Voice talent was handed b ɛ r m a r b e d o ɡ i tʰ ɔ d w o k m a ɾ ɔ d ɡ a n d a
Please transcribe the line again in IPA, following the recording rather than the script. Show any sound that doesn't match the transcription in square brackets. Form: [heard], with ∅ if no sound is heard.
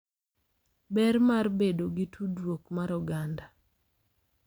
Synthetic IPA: b ɛ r m a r b e d o ɡ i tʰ [u] d w o k m a ɾ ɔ [∅] ɡ a n d a